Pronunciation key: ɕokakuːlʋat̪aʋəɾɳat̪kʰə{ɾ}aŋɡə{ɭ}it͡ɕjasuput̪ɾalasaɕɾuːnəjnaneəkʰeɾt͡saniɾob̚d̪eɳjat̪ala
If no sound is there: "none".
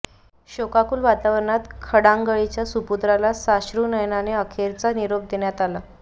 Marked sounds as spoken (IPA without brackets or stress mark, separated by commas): ɽ, ɭ